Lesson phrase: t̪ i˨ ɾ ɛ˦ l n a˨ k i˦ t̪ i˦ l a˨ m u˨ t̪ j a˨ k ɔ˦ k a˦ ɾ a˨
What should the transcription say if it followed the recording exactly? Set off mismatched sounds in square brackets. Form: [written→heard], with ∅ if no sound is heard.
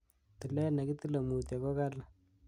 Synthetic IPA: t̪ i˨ [ɾ→l] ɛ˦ [l→∅] n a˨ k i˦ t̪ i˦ l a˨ m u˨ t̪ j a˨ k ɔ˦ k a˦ [ɾ→l] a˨